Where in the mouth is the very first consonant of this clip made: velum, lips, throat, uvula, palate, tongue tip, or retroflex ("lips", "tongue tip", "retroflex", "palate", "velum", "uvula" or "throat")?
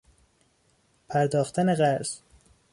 lips